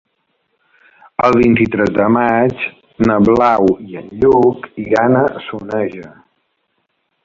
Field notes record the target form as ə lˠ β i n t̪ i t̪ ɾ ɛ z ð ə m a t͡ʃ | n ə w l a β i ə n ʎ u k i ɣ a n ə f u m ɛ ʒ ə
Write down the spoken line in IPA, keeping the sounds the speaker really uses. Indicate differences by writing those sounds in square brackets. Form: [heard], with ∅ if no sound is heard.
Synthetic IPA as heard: ə lˠ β i n t̪ i t̪ ɾ ɛ z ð ə m a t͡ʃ | n ə [β] l a [w] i ə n ʎ u k i ɣ a n ə [s] u [n] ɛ ʒ ə